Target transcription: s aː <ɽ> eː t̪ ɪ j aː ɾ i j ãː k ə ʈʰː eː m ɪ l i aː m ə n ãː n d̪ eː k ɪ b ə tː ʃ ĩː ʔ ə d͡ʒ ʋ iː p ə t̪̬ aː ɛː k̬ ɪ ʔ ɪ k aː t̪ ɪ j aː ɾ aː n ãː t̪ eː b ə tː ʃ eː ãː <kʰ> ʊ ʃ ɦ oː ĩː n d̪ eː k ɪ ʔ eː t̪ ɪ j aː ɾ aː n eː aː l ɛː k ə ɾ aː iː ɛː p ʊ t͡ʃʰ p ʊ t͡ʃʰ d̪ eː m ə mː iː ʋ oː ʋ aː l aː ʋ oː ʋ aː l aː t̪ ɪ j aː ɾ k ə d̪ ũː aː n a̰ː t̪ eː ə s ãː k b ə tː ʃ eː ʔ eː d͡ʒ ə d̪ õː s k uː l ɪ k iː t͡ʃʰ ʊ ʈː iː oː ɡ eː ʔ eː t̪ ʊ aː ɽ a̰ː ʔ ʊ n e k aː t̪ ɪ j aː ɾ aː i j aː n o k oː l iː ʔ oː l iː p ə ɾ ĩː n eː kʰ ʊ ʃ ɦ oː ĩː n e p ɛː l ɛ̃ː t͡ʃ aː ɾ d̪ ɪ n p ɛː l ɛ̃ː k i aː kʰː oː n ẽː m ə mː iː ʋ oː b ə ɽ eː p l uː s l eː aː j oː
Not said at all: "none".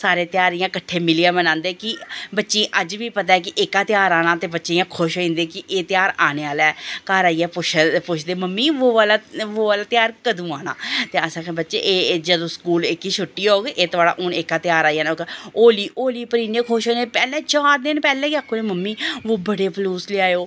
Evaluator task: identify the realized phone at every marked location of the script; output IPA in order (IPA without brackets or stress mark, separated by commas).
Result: ɾ, kʰ